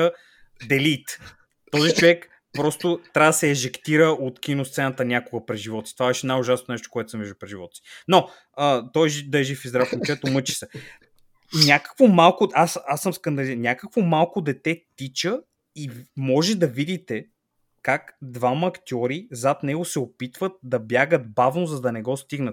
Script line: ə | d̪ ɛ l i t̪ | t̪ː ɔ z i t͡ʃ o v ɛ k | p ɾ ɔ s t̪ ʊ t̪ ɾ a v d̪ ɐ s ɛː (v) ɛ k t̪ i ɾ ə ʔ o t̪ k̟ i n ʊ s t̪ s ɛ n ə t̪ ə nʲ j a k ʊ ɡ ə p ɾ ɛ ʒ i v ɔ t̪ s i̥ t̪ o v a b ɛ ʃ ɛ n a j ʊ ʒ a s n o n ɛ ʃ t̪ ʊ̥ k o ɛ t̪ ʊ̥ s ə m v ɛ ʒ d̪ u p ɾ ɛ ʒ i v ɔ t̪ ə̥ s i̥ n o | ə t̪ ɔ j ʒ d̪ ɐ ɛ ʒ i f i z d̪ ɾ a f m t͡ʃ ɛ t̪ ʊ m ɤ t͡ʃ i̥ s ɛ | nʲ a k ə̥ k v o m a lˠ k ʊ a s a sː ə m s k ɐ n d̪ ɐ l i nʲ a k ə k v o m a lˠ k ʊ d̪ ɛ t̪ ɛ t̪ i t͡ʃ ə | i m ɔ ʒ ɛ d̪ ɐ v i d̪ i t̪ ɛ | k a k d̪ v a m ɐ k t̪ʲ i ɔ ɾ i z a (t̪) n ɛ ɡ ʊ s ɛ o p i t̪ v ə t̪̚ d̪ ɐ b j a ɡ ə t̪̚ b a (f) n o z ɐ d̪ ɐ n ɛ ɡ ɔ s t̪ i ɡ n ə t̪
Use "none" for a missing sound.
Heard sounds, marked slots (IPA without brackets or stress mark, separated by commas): ʒ, t̪, v